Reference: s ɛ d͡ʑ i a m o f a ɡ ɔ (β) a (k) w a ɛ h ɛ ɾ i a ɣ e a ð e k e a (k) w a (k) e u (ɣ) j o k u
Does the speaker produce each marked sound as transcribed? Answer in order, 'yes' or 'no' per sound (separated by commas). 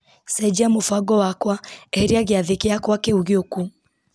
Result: no, yes, yes, yes, yes